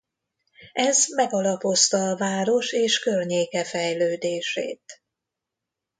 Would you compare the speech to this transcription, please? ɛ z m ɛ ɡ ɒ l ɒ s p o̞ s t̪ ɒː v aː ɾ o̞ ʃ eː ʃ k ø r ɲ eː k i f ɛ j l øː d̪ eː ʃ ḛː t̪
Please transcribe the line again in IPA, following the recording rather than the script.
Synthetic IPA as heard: ɛ z m ɛ ɡ ɒ l ɒ p o̞ s t̪ ɒː v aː ɾ o̞ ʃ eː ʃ k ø r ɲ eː k ɛ f ɛ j l øː d̪ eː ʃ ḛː t̪